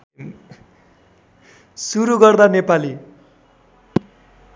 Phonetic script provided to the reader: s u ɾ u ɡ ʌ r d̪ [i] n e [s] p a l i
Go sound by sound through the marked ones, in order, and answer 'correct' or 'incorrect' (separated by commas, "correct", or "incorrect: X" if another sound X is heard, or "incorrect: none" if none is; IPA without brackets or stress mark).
incorrect: a, incorrect: none